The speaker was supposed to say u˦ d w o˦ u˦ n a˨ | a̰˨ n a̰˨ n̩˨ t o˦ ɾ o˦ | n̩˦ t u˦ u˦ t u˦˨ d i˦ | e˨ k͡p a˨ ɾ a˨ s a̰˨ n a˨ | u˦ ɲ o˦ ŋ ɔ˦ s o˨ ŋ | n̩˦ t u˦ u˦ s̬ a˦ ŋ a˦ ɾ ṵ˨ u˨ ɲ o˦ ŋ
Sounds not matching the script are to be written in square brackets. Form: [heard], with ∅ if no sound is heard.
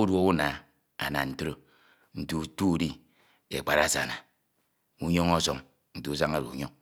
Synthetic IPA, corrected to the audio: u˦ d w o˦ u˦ n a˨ | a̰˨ n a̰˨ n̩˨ t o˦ ɾ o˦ | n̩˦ t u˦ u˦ t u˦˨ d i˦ | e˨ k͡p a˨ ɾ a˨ s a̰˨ n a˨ | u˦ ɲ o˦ ŋ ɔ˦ s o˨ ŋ | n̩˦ t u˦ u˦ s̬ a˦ ŋ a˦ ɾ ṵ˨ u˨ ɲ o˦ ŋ